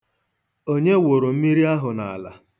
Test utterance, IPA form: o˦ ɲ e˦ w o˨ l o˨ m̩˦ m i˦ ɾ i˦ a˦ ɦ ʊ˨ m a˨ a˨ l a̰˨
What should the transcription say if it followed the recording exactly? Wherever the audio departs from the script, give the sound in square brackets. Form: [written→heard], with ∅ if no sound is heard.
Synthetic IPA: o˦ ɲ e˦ w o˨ [l→ɾ] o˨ m̩˦ m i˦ ɾ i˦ a˦ ɦ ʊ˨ [m→n] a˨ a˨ l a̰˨